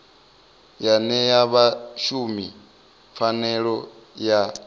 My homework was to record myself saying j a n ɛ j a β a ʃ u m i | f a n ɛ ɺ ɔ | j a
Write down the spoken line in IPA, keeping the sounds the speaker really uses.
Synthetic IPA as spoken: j a n ɛ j a β a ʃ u m i | f a n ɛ ɺ ɔ | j a